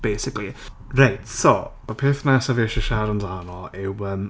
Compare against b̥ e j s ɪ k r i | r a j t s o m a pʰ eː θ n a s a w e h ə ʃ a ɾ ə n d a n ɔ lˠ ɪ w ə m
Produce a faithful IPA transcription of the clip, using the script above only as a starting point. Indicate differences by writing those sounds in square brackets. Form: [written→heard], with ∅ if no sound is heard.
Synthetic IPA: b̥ e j s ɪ k [r→l] i | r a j t s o m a pʰ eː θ n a s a [w→v] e [h→ʃ] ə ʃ a ɾ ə n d a n ɔ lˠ ɪ w ə m